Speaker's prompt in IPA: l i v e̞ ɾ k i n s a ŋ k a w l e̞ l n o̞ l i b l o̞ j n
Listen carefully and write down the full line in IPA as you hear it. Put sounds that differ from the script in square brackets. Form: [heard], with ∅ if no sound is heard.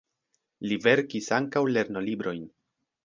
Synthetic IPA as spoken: l i v e̞ ɾ k i [∅] s a ŋ k a w l e̞ [ɾ] n o̞ l i b [ɾ] o̞ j n